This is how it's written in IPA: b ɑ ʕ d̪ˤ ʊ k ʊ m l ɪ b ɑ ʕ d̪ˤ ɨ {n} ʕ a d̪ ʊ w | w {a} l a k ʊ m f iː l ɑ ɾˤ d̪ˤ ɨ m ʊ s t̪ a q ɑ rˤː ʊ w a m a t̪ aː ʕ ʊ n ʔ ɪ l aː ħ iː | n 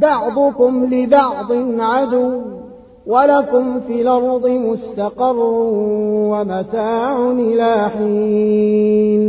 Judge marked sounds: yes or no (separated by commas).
yes, yes